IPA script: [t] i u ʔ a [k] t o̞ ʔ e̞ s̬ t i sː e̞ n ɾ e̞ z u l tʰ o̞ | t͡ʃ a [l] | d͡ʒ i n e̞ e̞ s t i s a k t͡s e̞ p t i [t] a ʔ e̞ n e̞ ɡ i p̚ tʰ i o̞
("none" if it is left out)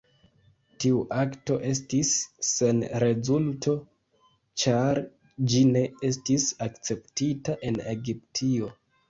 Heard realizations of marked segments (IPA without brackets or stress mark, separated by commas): t, k, ɾ, t